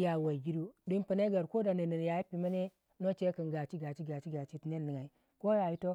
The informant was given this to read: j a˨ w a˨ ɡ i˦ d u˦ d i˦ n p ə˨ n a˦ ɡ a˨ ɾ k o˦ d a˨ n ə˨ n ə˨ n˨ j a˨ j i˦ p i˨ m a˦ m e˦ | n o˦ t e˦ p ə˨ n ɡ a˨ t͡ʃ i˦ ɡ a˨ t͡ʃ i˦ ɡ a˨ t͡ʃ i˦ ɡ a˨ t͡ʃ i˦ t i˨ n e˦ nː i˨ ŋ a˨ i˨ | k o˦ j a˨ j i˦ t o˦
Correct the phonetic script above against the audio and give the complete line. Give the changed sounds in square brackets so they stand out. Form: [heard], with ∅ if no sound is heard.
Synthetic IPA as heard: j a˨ w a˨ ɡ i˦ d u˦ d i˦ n p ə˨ n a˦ ɡ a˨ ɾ k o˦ d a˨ n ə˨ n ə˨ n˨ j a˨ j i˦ p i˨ m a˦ [n] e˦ | n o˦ [t͡ʃ] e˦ [k] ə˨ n ɡ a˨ t͡ʃ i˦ ɡ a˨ t͡ʃ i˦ ɡ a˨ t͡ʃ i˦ ɡ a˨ t͡ʃ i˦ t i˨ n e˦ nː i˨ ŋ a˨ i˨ | k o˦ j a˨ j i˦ t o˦